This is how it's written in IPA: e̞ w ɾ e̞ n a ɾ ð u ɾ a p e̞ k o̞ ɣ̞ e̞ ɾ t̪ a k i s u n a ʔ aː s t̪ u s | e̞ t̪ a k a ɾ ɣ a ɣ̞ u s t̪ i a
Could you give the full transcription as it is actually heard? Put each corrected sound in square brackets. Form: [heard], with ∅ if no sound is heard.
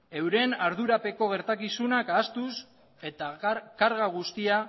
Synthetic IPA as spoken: e̞ w ɾ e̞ n a ɾ ð u ɾ a p e̞ k o̞ ɣ̞ e̞ ɾ t̪ a k i s u n a [k] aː s t̪ u s | e̞ t̪ a k a ɾ ɣ a ɣ̞ u s t̪ i a